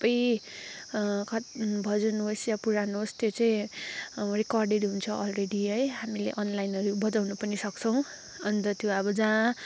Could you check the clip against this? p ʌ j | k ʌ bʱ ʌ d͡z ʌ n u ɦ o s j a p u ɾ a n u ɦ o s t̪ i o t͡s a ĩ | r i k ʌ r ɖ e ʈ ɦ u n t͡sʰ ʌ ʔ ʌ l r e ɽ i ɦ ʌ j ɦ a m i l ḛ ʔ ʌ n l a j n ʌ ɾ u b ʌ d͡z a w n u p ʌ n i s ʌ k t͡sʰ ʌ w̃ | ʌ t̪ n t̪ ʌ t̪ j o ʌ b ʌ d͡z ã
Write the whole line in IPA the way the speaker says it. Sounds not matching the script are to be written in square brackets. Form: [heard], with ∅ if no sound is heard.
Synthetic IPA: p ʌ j | k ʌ bʱ ʌ d͡z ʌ n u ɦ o s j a p u ɾ a n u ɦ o s t̪ [j] o t͡s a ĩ | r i k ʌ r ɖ e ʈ ɦ u n t͡sʰ ʌ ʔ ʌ l r e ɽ i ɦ ʌ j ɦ a m i l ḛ ʔ ʌ n l a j n ʌ ɾ u b ʌ d͡z a w n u p ʌ n i s ʌ k t͡sʰ ʌ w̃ | ʌ [∅] n t̪ ʌ t̪ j o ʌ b ʌ d͡z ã